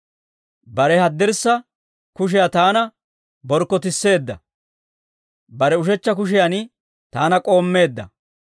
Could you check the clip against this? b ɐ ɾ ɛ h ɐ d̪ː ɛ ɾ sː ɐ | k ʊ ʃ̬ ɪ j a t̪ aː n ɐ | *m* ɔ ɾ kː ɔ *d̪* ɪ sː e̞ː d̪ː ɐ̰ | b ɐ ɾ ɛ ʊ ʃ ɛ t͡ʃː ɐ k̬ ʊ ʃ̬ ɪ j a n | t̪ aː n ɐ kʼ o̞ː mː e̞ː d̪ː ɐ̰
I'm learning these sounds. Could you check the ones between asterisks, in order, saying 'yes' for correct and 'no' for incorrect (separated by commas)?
no, no